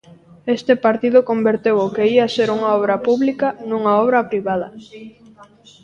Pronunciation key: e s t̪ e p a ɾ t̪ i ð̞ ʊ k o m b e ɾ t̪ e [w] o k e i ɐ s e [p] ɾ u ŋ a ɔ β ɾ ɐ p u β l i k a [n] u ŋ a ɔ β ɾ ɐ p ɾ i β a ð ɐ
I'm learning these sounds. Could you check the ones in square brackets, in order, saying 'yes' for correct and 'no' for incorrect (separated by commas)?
yes, no, yes